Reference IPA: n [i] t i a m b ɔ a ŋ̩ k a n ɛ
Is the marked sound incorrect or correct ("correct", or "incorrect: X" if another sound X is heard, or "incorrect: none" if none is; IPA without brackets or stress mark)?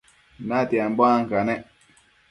incorrect: a